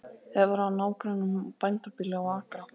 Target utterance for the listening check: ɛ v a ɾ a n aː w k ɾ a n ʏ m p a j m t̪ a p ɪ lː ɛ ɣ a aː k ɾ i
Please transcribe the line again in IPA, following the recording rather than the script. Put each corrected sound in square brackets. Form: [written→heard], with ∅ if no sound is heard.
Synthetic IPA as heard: ɛ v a ɾ a n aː w k ɾ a n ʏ m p a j [m→n] t̪ a p ɪ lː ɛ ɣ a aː k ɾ [i→a]

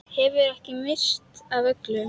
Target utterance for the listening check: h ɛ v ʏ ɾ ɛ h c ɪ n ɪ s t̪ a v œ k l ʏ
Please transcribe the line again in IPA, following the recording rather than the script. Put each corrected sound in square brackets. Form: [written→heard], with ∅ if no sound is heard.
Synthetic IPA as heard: h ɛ v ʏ ɾ ɛ h c ɪ [n→m] ɪ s t̪ a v œ k l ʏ

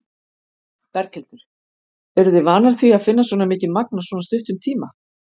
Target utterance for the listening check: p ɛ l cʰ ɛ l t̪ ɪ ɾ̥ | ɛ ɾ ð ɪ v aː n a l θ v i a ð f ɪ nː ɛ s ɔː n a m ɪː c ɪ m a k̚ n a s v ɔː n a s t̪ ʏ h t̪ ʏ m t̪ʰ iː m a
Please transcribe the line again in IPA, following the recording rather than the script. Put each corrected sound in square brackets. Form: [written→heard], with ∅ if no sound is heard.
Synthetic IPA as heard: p ɛ [l→ɾ] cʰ ɛ l t̪ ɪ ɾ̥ | ɛ ɾ ð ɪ v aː n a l θ v i a ð f ɪ nː [ɛ→a] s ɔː n a m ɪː c ɪ m a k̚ n a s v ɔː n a s t̪ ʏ h t̪ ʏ m t̪ʰ iː m a

